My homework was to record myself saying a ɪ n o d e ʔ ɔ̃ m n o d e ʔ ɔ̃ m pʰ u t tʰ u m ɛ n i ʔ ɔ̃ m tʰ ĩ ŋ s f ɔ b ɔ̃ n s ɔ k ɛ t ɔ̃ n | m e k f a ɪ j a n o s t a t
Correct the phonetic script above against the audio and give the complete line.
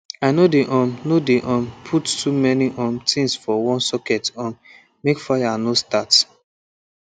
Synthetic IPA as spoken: a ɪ n o d e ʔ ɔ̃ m n o d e ʔ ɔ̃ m pʰ u t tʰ u m ɛ n i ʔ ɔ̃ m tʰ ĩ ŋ s f ɔ w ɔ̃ n s ɔ k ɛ t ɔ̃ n | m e k f a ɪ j a n o s t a t